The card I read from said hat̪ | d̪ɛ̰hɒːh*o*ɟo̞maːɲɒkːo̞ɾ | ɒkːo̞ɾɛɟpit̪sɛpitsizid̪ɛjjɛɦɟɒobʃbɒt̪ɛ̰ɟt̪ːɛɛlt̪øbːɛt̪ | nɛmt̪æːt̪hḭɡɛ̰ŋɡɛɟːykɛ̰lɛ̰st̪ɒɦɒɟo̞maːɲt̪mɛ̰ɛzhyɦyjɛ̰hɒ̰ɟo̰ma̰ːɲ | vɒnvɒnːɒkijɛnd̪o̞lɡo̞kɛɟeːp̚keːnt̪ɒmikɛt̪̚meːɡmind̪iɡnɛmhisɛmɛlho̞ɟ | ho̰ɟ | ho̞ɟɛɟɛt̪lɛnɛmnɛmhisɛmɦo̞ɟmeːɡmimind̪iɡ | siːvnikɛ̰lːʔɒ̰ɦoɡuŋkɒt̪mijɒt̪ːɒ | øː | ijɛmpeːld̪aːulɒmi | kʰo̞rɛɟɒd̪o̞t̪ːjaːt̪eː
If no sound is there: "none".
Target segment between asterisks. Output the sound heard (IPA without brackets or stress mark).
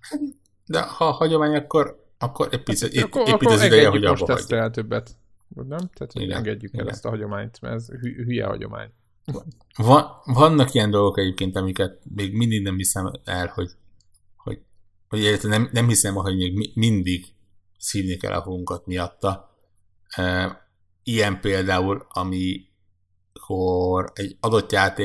ɒ